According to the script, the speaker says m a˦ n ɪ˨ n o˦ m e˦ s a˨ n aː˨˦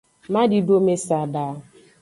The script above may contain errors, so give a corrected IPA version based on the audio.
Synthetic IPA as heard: m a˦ d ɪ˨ d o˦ m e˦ s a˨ d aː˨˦